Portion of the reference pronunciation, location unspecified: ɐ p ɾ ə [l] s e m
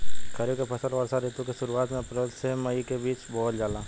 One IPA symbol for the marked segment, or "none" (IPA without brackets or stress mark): l